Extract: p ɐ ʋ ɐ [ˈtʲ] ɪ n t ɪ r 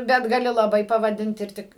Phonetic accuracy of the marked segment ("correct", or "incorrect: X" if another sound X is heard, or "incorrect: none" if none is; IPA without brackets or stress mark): incorrect: dʲ